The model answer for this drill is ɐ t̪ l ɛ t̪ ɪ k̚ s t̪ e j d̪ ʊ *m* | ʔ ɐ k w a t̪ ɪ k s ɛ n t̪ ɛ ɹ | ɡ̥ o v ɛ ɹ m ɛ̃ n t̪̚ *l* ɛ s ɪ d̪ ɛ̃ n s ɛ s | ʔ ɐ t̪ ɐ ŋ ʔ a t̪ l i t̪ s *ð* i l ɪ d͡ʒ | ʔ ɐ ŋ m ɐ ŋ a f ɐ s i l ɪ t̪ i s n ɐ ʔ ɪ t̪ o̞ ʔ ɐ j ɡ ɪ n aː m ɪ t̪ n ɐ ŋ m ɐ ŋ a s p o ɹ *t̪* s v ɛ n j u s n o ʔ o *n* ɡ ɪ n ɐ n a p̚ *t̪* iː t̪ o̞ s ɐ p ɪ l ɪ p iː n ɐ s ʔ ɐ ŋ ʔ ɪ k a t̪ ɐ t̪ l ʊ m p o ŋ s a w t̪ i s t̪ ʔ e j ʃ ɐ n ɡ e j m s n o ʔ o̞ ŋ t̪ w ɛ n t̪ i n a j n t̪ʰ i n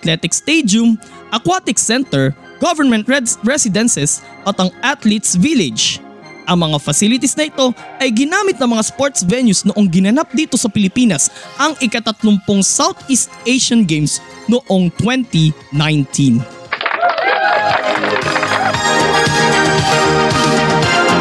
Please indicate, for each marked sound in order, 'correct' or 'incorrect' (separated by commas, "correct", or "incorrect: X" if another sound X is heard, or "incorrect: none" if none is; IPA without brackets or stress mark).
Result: correct, incorrect: ɹ, incorrect: v, correct, incorrect: ŋ, incorrect: d̪